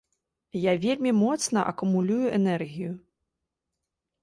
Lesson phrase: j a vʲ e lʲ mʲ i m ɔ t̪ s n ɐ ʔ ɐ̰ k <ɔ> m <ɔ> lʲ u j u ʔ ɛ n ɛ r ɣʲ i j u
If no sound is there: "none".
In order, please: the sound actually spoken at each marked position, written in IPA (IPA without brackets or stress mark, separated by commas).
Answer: u, u